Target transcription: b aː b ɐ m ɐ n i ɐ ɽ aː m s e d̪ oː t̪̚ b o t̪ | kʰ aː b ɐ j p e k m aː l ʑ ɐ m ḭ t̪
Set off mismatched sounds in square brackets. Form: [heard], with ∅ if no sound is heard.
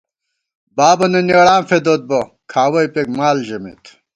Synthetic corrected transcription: b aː b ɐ [n] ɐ n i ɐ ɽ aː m [f] e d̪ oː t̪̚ b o [∅] | kʰ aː [w] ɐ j p e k m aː l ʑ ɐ m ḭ t̪